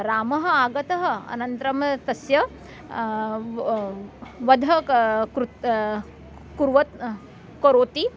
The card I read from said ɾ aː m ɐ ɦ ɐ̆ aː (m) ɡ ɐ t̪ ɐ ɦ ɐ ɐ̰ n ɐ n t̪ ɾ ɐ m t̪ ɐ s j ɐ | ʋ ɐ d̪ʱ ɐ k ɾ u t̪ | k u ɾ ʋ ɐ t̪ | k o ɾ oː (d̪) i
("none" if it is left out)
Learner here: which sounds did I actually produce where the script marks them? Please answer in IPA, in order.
none, t̪

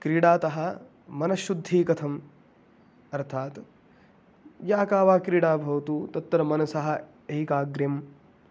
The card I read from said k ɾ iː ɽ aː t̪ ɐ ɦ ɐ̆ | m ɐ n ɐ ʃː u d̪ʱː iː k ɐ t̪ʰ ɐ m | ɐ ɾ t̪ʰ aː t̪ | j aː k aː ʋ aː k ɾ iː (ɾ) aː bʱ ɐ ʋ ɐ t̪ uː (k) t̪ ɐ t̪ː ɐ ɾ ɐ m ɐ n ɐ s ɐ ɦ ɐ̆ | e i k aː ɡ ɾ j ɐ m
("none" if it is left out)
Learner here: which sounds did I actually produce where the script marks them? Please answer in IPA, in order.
ɽ, none

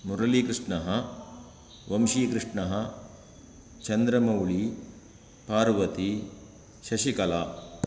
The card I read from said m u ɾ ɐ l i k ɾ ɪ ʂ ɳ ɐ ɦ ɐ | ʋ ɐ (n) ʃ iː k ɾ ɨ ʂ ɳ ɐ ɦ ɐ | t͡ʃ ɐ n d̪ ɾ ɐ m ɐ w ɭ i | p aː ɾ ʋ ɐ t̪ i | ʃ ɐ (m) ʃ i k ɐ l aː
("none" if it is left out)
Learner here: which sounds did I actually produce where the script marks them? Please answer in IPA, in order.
m, none

